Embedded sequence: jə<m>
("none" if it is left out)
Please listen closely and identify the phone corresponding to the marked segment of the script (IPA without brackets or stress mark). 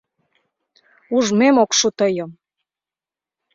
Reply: m